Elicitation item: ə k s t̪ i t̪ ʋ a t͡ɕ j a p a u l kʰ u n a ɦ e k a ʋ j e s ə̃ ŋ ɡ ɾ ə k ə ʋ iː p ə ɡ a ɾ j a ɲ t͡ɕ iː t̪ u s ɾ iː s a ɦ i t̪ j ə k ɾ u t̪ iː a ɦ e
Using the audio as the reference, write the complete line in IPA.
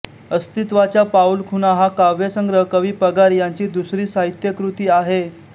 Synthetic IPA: ə s t̪ i t̪ ʋ a t͡ɕ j a p a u l kʰ u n a ɦ a k a ʋ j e s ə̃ ŋ ɡ ɾ ə k ə ʋ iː p ə ɡ a ɾ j a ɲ t͡ɕ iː d̪ u s ɾ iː s a ɦ i t̪ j ə k ɾ u t̪ iː a ɦ e